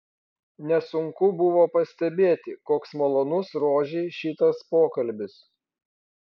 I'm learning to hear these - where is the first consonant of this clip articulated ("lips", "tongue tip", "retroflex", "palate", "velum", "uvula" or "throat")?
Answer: tongue tip